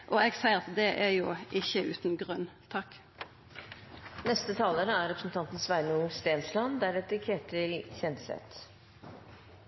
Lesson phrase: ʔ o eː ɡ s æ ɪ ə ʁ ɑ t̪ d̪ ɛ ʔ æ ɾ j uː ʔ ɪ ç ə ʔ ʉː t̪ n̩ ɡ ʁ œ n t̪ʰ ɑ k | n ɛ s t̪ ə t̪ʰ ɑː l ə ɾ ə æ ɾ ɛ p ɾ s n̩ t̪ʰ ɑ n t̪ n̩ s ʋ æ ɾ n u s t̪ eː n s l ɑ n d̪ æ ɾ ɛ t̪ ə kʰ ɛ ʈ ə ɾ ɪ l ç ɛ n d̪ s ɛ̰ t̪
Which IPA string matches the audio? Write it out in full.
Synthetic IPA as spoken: ʔ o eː ɡ s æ ɪ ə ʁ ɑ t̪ d̪ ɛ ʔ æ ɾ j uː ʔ ɪ ç ə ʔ ʉː t̪ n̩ ɡ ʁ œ n t̪ʰ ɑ k | n ɛ s t̪ ə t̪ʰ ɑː l ə ɾ ə æ ɾ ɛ p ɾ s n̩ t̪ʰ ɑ n t̪ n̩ s ʋ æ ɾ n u s t̪ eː n s l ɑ n d̪ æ ɾ ɛ t̪ ə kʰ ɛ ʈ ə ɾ ɪ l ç ɛ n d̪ s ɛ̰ t̪